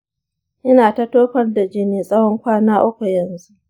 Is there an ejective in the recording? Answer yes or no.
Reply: yes